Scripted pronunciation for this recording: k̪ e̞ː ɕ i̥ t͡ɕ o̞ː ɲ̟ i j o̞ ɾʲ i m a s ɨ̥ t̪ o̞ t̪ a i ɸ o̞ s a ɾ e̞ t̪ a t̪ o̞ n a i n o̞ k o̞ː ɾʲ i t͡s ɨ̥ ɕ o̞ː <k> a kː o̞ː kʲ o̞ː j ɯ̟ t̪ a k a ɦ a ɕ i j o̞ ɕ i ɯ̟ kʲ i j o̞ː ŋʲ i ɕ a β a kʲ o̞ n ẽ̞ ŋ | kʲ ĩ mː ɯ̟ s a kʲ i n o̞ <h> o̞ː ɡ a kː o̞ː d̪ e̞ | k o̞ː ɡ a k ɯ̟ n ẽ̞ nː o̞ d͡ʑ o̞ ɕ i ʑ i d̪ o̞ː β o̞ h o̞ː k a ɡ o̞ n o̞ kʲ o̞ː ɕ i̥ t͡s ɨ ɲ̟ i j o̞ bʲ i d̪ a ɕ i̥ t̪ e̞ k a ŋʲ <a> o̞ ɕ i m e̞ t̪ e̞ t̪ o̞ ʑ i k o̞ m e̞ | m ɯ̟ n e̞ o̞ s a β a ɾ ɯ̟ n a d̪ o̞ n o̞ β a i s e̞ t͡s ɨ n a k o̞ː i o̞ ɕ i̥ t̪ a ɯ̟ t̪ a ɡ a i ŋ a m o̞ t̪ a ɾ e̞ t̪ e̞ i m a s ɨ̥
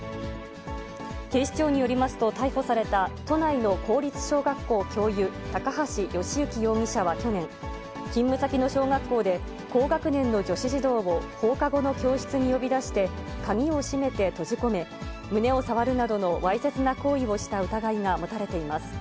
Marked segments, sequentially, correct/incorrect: incorrect: ɡ, incorrect: ɕ, incorrect: i

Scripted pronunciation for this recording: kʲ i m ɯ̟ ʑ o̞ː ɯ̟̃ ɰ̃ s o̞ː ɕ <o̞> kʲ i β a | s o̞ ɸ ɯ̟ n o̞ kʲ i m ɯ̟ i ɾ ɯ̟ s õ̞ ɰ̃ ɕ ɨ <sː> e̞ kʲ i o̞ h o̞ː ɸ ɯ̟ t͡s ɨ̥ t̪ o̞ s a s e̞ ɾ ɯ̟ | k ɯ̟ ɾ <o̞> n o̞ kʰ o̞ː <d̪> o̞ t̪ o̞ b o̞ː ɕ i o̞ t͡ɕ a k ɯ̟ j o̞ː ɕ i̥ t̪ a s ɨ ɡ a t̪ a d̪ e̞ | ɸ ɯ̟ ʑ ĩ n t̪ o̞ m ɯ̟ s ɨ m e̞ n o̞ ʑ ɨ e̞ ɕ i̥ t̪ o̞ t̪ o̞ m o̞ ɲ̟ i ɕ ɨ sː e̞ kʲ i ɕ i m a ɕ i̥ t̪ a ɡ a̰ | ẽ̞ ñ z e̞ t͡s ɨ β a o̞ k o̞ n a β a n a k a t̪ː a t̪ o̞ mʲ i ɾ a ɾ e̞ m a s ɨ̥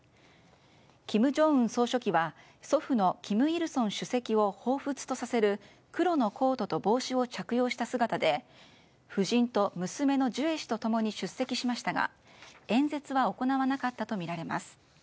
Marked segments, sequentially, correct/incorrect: correct, incorrect: s, correct, incorrect: t̪

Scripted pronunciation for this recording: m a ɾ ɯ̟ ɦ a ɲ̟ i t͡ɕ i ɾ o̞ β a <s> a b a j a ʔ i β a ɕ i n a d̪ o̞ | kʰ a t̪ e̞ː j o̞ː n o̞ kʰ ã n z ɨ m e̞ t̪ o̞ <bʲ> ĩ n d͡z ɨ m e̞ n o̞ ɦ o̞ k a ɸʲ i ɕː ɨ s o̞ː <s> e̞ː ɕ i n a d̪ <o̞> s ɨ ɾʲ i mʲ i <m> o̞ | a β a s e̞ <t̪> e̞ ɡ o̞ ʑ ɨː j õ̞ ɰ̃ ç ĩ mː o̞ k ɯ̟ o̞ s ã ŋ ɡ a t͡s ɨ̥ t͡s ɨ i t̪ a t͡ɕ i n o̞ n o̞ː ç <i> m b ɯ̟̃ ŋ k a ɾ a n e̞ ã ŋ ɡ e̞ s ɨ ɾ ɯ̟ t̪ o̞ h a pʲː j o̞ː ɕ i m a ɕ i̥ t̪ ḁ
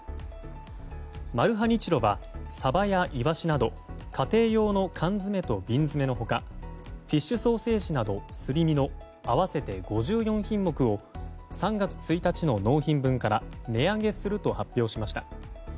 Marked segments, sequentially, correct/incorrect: correct, correct, correct, correct, incorrect: n, correct, incorrect: ĩ

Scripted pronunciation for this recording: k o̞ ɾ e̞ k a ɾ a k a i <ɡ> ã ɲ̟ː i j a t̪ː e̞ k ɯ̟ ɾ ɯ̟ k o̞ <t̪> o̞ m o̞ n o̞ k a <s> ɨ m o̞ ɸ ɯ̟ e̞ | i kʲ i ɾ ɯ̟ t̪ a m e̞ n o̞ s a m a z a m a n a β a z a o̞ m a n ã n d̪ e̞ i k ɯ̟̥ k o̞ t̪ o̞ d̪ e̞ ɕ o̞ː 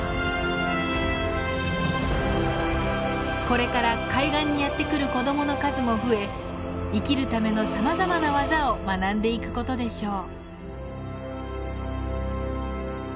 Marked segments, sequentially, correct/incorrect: correct, incorrect: d̪, incorrect: z

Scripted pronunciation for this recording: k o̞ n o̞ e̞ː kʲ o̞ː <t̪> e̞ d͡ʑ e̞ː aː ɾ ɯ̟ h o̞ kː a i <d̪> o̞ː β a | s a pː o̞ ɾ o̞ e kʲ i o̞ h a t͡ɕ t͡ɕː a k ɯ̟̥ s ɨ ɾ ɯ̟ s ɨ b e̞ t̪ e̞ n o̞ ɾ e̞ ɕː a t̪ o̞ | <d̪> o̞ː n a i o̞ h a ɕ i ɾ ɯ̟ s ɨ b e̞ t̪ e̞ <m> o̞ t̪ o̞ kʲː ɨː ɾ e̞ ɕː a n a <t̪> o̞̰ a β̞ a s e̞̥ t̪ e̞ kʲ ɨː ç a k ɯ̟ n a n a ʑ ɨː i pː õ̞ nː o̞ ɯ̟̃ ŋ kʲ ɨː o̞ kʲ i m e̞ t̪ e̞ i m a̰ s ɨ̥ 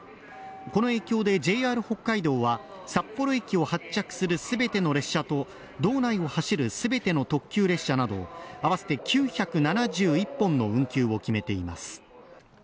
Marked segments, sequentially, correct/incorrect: incorrect: d̪, correct, correct, incorrect: n, incorrect: d̪

